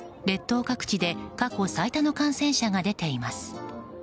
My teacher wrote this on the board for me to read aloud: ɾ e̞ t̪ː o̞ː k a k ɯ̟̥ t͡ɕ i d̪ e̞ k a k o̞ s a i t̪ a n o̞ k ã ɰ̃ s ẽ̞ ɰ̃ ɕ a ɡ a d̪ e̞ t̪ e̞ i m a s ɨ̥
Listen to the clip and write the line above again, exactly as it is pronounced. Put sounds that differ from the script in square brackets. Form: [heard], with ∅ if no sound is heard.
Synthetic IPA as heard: ɾ e̞ t̪ː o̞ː k a k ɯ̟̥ t͡ɕ i d̪ e̞ k a k o̞ s a i t̪ a n o̞ k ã ɰ̃ s ẽ̞ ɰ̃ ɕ a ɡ a d̪ e̞ t̪ e̞ i m a s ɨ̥

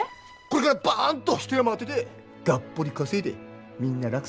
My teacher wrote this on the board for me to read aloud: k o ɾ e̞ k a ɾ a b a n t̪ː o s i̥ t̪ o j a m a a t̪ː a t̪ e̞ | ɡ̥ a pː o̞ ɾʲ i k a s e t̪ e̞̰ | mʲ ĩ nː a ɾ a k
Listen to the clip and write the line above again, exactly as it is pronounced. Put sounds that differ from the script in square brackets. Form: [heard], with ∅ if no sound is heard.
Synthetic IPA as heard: k o ɾ e̞ k a ɾ a b a n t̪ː o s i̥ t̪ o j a m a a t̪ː [e] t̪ e̞ | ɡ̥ a pː o̞ ɾʲ i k a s e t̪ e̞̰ | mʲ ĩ nː a ɾ a k

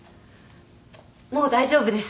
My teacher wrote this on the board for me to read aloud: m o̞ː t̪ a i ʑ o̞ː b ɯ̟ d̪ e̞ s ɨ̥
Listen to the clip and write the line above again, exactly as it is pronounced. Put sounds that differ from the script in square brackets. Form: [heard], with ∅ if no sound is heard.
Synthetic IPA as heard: m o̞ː [d̪] a i ʑ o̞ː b ɯ̟ d̪ e̞ s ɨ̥

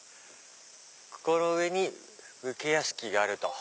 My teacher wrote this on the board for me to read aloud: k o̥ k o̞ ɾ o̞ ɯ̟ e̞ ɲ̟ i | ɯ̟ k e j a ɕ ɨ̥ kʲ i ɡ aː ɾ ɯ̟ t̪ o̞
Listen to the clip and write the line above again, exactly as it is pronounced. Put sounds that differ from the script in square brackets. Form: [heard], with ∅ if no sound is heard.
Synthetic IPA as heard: k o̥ k o̞ ɾ o̞ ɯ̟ e̞ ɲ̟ i | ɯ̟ k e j a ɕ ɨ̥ kʲ i ɡ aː ɾ ɯ̟ t̪ o̞

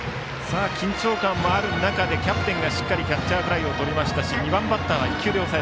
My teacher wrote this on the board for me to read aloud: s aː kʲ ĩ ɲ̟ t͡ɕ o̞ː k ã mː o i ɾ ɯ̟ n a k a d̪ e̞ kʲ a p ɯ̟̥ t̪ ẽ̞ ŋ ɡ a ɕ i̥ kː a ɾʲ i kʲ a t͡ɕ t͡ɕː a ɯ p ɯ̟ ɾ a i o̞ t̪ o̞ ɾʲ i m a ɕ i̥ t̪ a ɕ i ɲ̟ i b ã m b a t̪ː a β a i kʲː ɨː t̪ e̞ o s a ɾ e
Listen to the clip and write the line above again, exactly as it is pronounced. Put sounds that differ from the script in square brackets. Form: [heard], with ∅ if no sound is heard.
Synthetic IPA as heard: s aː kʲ ĩ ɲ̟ t͡ɕ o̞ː k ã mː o [a] ɾ ɯ̟ n a k a d̪ e̞ kʲ a p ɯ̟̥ t̪ ẽ̞ ŋ ɡ a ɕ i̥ kː a ɾʲ i kʲ a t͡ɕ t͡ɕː a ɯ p ɯ̟ ɾ a i o̞ t̪ o̞ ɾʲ i m a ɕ i̥ t̪ a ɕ i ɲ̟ i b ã m b a t̪ː a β a i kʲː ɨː [d̪] e̞ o s a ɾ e

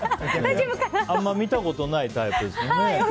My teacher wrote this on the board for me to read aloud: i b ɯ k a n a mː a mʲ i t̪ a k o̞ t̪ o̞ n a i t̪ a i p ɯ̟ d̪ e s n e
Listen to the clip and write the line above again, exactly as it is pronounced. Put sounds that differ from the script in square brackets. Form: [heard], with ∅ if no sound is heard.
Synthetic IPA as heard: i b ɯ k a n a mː a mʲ i t̪ a k o̞ t̪ o̞ n a i t̪ a i p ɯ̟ d̪ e s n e

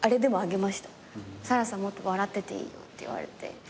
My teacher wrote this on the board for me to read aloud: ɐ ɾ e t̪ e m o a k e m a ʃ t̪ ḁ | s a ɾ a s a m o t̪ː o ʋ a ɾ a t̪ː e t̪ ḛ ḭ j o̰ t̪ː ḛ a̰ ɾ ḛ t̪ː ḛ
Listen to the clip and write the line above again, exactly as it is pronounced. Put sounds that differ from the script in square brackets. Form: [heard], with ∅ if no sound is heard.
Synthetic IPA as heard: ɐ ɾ e [d̪] e m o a [ɡ] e m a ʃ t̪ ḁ | s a ɾ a s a m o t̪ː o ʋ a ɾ a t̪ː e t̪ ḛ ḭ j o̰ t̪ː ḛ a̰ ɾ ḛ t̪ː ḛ

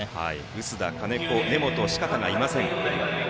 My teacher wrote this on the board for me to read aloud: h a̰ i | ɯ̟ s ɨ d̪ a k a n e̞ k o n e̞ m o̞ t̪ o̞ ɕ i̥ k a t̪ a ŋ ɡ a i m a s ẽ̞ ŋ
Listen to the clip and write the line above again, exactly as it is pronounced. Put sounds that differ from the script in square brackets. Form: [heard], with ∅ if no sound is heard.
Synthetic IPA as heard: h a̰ i | ɯ̟ s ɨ d̪ a k a n e̞ k o n e̞ m o̞ t̪ o̞ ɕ i̥ k a t̪ a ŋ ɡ a i m a s ẽ̞ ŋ

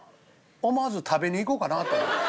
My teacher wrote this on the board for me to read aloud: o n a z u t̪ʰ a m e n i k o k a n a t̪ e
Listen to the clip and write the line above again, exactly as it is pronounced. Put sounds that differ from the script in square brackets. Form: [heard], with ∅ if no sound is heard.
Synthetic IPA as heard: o [m] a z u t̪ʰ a [b] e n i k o k a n a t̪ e

